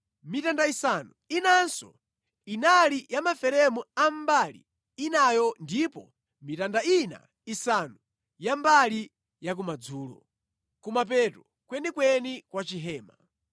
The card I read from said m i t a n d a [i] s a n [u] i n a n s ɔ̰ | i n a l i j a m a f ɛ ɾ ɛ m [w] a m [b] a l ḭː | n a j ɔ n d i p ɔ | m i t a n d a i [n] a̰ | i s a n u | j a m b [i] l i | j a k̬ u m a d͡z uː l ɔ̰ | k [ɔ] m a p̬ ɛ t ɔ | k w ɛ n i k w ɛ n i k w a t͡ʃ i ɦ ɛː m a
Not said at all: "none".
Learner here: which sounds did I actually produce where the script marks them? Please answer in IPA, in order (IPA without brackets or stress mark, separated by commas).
i, u, u, b, n, a, u